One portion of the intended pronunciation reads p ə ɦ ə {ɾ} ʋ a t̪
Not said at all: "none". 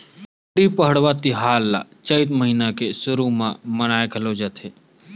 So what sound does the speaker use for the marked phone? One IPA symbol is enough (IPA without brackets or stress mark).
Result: ɽ